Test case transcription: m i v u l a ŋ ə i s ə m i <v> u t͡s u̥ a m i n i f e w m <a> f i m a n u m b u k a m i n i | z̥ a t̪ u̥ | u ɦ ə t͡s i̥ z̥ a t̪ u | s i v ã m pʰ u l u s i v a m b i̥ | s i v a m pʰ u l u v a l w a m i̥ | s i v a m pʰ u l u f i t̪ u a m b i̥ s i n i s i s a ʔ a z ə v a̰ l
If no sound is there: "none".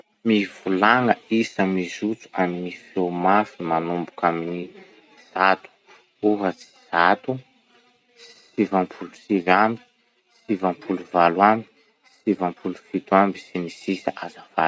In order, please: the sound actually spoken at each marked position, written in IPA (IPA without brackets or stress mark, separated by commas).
z, a